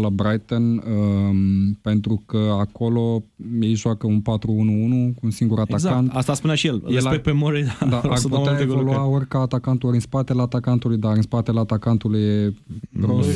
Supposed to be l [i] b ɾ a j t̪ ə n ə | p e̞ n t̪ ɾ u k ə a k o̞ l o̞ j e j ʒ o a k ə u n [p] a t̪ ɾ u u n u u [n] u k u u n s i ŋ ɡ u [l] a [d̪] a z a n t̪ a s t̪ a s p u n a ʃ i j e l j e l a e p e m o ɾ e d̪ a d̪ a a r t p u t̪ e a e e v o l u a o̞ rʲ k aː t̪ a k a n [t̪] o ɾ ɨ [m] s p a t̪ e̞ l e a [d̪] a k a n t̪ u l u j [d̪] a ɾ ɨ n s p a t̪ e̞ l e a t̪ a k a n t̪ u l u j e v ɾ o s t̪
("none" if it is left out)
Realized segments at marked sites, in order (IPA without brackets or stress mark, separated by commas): a, p, n, ɾ, t̪, t̪, n, t̪, d̪